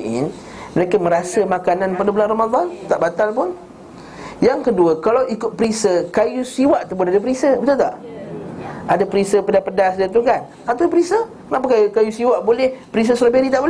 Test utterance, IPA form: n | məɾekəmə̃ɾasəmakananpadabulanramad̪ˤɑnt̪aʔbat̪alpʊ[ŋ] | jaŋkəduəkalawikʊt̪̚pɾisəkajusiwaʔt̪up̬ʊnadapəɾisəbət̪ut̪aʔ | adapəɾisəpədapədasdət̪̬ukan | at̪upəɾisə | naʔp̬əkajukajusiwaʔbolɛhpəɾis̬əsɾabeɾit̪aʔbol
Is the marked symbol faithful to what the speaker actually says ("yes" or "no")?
no